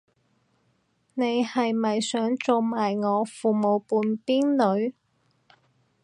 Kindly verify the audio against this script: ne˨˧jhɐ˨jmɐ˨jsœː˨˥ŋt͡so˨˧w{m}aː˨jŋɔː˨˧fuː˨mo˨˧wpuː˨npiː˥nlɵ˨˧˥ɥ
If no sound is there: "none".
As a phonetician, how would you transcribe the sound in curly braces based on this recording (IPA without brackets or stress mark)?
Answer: m